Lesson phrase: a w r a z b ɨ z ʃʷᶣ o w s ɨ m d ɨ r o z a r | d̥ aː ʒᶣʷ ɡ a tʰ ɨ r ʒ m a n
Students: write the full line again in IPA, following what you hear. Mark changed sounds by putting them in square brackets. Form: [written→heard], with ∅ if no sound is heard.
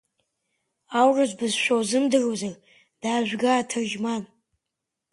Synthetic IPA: a w r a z b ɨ z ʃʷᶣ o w [s→z] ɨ m d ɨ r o z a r | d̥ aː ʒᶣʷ ɡ a tʰ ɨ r ʒ m a n